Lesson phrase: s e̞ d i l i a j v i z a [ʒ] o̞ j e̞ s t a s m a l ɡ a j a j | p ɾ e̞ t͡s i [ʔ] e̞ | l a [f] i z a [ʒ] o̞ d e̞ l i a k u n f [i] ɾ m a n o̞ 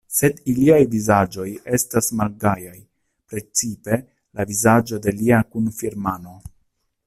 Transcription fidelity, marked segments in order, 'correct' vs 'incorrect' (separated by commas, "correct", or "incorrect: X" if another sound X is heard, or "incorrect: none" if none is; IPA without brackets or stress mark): incorrect: d͡ʒ, incorrect: p, incorrect: v, incorrect: d͡ʒ, correct